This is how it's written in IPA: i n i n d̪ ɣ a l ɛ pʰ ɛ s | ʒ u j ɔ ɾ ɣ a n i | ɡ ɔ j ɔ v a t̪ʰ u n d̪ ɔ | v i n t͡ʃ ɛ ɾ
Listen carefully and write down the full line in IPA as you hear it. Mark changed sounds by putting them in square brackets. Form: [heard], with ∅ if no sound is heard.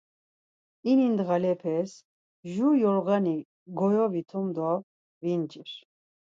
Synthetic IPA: i n i n d̪ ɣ a l ɛ pʰ ɛ s | ʒ u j ɔ ɾ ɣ a n i | ɡ ɔ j ɔ v [i] t̪ʰ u [m] d̪ ɔ | v i n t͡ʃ [i] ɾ